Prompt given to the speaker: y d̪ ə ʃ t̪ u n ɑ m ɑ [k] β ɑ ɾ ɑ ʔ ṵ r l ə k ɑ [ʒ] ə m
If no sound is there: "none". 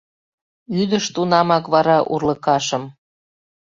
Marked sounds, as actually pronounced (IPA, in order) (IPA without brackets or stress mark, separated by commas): k, ʃ